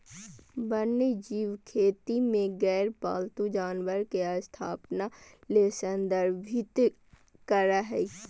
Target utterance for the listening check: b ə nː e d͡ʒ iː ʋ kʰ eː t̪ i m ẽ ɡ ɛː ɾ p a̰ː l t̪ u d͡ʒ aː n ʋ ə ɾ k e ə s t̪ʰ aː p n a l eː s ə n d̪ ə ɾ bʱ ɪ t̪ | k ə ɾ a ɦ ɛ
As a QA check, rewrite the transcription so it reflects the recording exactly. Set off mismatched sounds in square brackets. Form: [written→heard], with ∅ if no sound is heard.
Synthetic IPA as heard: b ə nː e d͡ʒ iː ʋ kʰ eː t̪ i m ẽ ɡ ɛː ɾ p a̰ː l t̪ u d͡ʒ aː n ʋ ə ɾ k e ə s t̪ʰ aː p n a l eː s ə n d̪ ə ɾ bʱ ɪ t̪ | k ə ɾ a ɦ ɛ